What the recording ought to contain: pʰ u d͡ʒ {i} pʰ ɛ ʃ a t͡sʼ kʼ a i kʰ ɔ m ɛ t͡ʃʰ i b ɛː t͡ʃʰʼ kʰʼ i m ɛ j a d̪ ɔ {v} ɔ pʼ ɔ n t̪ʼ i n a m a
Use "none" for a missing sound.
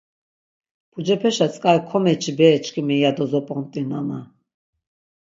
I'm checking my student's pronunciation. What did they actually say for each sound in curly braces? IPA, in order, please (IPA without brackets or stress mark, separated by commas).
ɛ, z